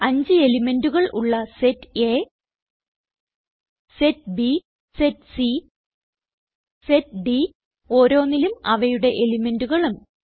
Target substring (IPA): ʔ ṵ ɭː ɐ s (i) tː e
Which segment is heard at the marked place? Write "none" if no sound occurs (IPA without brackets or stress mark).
e